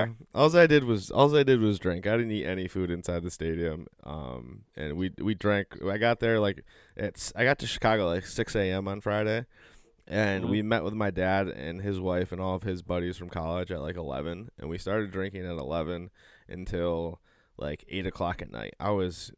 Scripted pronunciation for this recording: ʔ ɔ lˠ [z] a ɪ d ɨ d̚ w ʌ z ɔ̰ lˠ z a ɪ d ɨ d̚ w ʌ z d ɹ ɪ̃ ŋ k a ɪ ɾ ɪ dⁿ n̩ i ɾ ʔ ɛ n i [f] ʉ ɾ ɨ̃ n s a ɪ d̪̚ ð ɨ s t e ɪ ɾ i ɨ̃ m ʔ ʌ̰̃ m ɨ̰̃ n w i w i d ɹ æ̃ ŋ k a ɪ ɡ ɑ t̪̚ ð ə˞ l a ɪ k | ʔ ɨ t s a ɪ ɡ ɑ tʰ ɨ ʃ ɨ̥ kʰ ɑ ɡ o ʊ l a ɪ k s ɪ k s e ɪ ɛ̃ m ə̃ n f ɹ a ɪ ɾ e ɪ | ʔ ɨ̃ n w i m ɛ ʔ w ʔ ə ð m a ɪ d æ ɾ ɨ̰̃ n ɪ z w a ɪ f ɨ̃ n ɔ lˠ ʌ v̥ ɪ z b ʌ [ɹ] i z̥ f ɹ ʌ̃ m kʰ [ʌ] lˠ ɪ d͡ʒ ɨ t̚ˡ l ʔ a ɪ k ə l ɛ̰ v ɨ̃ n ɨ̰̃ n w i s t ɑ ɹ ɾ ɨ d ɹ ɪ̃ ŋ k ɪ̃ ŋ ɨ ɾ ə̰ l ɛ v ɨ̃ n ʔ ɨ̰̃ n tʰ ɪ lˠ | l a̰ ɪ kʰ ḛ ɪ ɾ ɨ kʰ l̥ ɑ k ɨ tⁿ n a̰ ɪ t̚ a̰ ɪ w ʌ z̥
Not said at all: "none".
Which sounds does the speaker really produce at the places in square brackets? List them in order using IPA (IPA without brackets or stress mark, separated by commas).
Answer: z, f, ɾ, ɑ